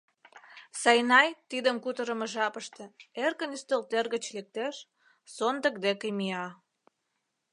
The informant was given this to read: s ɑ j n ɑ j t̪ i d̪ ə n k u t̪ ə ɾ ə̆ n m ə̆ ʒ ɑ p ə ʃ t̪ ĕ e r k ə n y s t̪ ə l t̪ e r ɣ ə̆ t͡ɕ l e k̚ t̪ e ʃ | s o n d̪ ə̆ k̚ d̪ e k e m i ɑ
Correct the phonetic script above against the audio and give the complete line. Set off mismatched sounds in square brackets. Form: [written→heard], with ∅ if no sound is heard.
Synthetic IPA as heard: s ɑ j n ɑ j t̪ i d̪ ə [n→m] k u t̪ ə ɾ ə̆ [n→∅] m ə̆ ʒ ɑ p ə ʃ t̪ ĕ e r k ə n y s t̪ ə l t̪ e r ɣ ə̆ t͡ɕ l e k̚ t̪ e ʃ | s o n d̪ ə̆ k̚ d̪ e k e m i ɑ

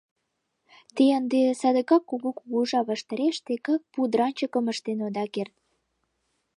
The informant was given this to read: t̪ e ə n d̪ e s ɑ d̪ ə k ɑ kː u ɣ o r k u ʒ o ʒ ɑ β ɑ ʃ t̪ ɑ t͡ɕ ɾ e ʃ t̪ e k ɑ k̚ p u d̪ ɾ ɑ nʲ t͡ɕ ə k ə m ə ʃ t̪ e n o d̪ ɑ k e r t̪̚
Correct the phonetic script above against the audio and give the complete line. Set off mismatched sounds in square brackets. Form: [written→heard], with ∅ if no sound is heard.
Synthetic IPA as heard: t̪ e ə n d̪ e s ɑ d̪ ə k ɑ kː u ɣ o [r→∅] k u [ʒ→ɣ] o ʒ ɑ β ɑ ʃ t̪ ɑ [t͡ɕ→∅] ɾ e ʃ t̪ e k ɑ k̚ p u d̪ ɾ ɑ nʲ t͡ɕ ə k ə m ə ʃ t̪ e n o d̪ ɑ k e r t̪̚

